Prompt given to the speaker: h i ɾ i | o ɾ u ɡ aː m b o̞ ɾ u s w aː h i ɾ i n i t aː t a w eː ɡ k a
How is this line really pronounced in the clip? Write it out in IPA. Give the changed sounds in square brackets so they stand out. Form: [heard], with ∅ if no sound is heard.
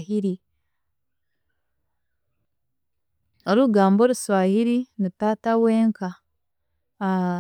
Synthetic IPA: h i ɾ i | o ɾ u ɡ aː m b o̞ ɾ u s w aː h i ɾ i n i t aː t a w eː [ŋ] k a